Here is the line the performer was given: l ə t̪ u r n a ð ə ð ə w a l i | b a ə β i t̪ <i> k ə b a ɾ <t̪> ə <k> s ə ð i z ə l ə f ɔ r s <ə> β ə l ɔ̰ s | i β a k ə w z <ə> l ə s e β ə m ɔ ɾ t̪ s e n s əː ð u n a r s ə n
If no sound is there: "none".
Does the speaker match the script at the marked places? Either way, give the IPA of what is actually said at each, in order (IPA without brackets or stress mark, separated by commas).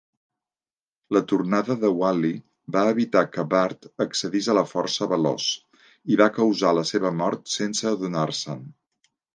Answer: a, t̪, k, ə, a